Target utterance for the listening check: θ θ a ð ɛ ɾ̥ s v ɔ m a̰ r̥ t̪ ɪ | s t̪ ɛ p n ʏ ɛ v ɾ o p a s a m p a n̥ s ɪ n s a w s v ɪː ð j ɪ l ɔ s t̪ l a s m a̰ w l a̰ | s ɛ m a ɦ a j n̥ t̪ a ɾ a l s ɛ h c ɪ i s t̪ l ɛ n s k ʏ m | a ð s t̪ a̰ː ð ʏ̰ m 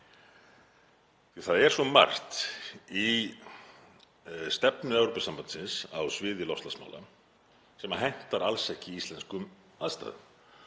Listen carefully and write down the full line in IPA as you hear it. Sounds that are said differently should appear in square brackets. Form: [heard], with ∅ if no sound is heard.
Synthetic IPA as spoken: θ θ a ð ɛ ɾ̥ s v ɔ m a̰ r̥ t̪ [i] | s t̪ ɛ p n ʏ ɛ v ɾ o p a s a m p a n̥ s ɪ n s a w s v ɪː ð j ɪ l ɔ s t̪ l a s m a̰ w l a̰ | s ɛ m a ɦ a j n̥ t̪ a ɾ a l s ɛ h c ɪ i s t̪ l ɛ n s k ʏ m | a ð s t̪ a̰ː ð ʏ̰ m